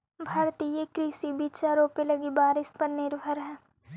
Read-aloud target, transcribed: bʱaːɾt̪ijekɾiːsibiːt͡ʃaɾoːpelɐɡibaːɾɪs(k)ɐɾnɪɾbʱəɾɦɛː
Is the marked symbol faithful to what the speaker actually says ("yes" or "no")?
no